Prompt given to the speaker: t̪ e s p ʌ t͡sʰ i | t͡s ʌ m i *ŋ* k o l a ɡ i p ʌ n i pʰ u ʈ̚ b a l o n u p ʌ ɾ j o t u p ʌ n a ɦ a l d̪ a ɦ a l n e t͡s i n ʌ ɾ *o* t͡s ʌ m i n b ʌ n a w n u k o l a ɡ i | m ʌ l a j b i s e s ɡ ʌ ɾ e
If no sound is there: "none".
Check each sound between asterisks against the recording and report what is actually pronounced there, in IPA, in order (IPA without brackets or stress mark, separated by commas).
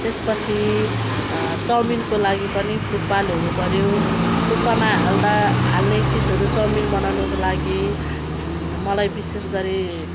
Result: n, u